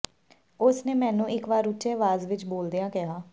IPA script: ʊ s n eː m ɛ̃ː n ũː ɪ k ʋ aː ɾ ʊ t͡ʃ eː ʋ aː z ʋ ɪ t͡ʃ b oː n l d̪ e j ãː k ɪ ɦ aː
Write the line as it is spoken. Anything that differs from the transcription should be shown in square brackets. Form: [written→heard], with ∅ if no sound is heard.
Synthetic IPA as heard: ʊ s n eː m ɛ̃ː n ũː ɪ k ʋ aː ɾ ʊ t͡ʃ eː ʋ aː z ʋ ɪ t͡ʃ b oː [n→∅] l d̪ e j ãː k ɪ ɦ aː